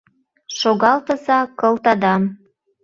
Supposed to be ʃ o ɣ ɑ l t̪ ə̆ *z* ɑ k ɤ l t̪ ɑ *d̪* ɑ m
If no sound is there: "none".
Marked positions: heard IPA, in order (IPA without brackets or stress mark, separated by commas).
z, d̪